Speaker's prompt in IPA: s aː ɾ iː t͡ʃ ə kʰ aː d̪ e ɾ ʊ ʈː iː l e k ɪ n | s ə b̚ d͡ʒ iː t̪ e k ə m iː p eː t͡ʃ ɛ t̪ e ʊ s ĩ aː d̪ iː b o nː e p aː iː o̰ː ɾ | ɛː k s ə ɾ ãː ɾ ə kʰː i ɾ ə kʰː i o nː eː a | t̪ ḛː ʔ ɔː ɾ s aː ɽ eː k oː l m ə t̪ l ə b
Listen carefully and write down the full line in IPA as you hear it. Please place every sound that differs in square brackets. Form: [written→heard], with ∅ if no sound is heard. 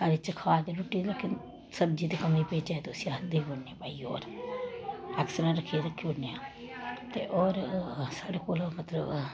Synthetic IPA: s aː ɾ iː t͡ʃ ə kʰ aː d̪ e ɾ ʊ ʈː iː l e k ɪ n | s ə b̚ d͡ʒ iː t̪ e k ə m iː p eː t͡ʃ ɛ t̪ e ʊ s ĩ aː d̪ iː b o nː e p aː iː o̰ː ɾ | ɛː k s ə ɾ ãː ɾ ə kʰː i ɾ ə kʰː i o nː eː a | t̪ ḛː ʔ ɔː ɾ s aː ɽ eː k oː l m ə t̪ l ə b

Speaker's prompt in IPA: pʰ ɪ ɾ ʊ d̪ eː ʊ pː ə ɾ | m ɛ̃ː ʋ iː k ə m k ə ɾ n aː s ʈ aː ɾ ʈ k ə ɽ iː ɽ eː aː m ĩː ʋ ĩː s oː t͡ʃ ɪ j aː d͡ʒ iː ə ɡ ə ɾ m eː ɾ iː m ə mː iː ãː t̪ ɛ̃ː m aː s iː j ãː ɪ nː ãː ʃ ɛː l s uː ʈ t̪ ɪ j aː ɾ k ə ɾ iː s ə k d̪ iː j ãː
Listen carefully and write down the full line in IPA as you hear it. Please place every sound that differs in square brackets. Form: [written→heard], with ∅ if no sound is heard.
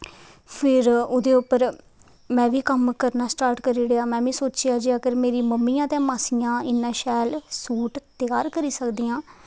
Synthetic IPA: pʰ ɪ ɾ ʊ d̪ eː ʊ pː ə ɾ | m ɛ̃ː ʋ iː k ə m k ə ɾ n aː s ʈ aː ɾ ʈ k ə [ɽ→ɾ] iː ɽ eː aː m [ĩː→ɛ̃ː] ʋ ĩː s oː t͡ʃ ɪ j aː d͡ʒ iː ə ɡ ə ɾ m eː ɾ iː m ə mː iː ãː t̪ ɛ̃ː m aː s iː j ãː ɪ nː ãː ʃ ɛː l s uː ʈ t̪ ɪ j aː ɾ k ə ɾ iː s ə k d̪ iː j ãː

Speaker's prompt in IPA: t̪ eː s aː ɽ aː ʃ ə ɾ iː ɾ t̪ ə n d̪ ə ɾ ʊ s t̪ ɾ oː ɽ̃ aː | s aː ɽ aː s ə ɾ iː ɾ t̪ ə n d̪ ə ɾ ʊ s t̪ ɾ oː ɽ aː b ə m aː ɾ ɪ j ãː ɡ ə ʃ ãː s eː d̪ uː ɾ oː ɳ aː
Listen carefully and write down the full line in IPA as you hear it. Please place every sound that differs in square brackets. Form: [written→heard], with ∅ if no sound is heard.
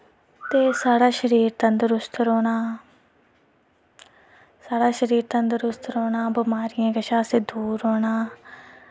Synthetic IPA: t̪ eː s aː ɽ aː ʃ ə ɾ iː ɾ t̪ ə n d̪ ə ɾ ʊ s t̪ ɾ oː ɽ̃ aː | s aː ɽ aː [s→ʃ] ə ɾ iː ɾ t̪ ə n d̪ ə ɾ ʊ s t̪ ɾ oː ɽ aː b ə m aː ɾ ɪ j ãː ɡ ə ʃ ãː s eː d̪ uː ɾ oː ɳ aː

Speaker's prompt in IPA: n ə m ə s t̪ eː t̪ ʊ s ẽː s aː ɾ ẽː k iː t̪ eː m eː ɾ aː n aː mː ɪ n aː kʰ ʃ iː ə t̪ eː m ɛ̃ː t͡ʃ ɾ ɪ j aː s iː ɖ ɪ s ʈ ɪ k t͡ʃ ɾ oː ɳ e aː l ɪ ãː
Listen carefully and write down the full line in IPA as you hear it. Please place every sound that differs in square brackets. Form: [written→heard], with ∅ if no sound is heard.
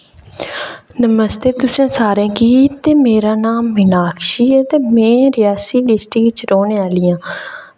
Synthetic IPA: n ə m ə s t̪ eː t̪ ʊ s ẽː s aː ɾ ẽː k iː t̪ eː m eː ɾ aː n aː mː ɪ n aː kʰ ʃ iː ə t̪ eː m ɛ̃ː [t͡ʃ→∅] ɾ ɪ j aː s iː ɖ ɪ s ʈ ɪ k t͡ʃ ɾ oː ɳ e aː l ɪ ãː

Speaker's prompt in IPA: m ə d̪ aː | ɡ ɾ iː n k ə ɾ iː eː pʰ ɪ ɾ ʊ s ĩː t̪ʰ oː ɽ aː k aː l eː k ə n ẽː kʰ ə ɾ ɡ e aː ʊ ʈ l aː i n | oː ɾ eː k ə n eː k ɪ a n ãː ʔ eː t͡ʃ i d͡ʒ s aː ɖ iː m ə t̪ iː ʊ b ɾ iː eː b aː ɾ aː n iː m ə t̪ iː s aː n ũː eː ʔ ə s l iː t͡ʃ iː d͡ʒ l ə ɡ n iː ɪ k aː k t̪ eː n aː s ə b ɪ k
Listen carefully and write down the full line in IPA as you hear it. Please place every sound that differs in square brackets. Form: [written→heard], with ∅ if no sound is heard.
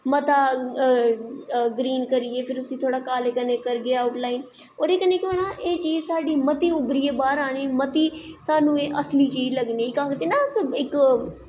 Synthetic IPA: m ə [d̪→t̪] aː | ɡ ɾ iː n k ə ɾ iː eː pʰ ɪ ɾ ʊ s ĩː t̪ʰ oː ɽ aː k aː l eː k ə n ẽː [kʰ→k] ə ɾ ɡ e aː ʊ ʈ l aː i n | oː ɾ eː k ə n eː k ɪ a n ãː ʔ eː t͡ʃ [i→iː] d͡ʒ s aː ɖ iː m ə t̪ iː ʊ b ɾ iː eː b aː ɾ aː n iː m ə t̪ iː s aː n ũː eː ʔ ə s l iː t͡ʃ iː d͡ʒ l ə ɡ n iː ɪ k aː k t̪ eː n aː s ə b ɪ k

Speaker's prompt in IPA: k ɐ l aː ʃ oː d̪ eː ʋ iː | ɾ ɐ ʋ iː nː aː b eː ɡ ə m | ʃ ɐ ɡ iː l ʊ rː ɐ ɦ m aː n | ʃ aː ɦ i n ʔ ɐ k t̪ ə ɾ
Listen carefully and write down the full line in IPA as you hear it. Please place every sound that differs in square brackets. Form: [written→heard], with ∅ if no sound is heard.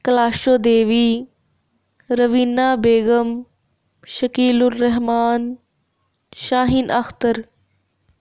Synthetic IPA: k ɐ l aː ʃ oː d̪ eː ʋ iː | ɾ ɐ ʋ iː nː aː b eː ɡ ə m | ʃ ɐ [ɡ→k] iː l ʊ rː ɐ ɦ m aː n | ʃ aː ɦ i n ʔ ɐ [k→x] t̪ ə ɾ

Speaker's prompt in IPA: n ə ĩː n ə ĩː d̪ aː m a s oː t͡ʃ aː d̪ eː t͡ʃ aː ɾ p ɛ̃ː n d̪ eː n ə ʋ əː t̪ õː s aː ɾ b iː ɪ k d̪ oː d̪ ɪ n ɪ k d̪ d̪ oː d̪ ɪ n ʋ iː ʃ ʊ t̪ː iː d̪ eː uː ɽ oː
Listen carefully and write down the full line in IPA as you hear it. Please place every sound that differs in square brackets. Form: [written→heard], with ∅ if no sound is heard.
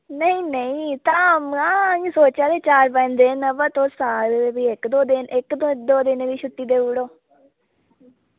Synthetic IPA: n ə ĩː n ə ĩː [d̪→t̪] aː m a s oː t͡ʃ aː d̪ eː t͡ʃ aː ɾ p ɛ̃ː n d̪ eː n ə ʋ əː t̪ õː s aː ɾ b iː ɪ k d̪ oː d̪ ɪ n ɪ k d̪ d̪ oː d̪ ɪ n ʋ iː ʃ ʊ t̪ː iː d̪ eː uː ɽ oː

